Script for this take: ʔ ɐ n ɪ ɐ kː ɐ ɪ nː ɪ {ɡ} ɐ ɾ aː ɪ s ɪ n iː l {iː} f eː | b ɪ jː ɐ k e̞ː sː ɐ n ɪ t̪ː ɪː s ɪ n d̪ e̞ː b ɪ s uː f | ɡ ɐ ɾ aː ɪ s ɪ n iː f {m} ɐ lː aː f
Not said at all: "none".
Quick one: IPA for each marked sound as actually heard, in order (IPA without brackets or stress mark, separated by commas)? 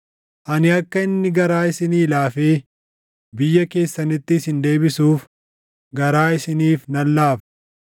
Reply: ɡ, aː, n